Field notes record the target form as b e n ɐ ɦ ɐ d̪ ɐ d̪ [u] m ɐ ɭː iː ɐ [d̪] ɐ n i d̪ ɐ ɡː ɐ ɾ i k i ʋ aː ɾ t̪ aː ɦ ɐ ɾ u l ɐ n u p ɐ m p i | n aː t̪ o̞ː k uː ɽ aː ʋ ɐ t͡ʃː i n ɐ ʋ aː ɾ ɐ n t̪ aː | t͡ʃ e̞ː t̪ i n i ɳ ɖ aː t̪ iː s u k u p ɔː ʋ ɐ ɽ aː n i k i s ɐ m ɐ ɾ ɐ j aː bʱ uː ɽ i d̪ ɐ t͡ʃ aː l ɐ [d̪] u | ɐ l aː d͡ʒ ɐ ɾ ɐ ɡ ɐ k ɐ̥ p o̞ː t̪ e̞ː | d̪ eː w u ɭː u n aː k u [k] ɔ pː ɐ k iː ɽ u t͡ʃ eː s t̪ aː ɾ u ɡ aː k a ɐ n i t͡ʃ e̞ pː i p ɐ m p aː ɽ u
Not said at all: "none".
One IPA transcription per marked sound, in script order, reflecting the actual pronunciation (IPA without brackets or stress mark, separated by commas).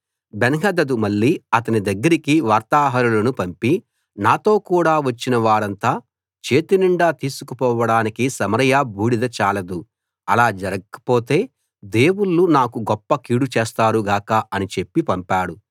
u, t̪, d̪, ɡ